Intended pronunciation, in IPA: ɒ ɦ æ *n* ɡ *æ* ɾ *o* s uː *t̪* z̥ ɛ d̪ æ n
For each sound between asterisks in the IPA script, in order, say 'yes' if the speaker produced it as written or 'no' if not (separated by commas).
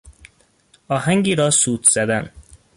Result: no, no, no, yes